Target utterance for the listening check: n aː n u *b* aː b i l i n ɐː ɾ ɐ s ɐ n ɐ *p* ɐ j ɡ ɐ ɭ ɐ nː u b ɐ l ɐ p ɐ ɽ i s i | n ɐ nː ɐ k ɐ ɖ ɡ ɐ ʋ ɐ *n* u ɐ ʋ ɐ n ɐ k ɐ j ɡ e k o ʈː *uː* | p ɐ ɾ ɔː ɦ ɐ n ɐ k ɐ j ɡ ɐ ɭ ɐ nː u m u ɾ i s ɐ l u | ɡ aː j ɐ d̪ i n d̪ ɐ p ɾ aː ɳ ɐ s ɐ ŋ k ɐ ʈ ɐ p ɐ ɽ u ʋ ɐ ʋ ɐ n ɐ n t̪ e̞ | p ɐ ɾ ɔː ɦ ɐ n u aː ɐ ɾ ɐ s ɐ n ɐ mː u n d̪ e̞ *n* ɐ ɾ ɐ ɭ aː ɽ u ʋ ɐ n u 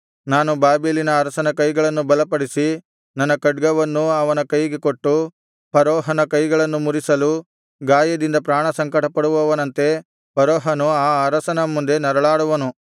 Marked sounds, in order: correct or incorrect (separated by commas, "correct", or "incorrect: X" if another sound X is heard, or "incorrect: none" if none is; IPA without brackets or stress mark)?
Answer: correct, incorrect: k, incorrect: nː, incorrect: u, correct